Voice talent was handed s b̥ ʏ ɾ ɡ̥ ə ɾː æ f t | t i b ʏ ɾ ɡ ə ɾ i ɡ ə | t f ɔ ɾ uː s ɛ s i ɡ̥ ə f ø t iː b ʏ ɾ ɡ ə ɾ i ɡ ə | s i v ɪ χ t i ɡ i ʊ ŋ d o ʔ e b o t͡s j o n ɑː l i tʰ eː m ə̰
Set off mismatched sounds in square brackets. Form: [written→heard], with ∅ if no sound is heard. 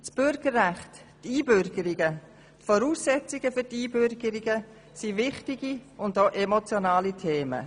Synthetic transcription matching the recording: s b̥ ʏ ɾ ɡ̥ ə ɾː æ [f→χ] t | t [i→iː] b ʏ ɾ ɡ ə ɾ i ɡ ə | t f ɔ ɾ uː s ɛ [s→t͡s] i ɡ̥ ə f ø t iː b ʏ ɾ ɡ ə ɾ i ɡ ə | s i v ɪ χ t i ɡ i ʊ [ŋ→n] d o ʔ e [b→m] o t͡s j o n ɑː l i tʰ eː m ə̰